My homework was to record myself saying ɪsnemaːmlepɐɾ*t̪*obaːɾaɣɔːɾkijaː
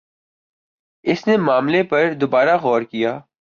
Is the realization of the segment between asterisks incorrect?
yes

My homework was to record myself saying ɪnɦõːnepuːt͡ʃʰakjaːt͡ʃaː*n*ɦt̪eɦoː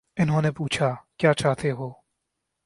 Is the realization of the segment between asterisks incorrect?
yes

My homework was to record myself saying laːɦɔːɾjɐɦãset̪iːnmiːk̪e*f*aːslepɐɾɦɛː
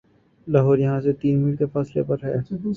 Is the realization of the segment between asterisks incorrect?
no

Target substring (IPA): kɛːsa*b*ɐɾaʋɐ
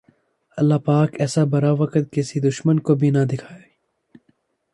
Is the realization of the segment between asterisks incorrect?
no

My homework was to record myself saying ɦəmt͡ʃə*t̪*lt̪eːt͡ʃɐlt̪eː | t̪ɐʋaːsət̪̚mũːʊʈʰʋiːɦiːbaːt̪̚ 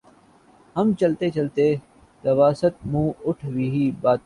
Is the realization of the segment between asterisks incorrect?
yes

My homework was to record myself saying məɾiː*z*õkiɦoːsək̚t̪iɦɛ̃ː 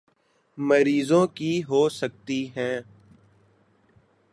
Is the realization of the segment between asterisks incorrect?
no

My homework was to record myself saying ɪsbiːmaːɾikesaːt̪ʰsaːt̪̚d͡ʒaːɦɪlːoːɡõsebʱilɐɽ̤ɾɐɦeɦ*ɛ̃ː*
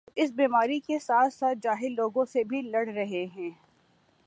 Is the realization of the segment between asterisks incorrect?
no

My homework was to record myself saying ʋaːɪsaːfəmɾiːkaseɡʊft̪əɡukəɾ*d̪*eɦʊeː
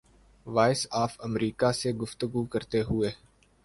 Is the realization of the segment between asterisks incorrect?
yes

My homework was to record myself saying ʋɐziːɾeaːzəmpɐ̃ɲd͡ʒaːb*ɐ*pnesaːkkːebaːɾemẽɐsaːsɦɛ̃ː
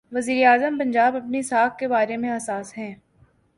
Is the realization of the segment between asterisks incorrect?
no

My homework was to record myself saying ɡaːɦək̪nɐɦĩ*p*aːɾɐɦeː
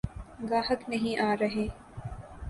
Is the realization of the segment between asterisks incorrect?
yes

